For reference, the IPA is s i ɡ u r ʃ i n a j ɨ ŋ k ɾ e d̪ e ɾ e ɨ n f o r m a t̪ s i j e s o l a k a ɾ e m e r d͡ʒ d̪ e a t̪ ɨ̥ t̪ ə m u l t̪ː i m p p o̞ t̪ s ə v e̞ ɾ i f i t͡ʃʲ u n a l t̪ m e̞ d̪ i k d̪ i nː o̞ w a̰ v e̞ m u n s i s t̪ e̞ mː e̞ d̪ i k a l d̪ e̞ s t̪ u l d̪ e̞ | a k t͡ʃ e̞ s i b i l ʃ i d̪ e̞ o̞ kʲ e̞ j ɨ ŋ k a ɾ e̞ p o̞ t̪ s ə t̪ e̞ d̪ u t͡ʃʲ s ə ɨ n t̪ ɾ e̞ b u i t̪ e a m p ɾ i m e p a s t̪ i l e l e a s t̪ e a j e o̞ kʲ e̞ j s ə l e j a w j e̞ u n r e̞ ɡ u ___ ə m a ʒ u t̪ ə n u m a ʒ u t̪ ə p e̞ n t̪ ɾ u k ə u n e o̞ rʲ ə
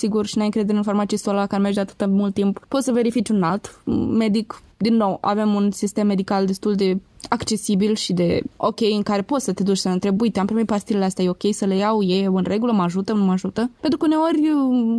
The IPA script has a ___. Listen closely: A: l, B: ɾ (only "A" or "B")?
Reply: A